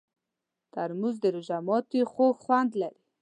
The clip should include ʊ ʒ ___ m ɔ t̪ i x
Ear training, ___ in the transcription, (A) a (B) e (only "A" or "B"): A